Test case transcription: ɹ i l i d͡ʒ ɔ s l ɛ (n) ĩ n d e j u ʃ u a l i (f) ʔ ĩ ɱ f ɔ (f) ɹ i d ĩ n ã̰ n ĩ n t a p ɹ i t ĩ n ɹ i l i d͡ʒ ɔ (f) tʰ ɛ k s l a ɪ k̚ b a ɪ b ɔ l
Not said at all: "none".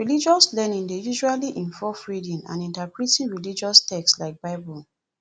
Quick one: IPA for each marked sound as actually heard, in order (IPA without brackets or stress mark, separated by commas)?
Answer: n, none, f, s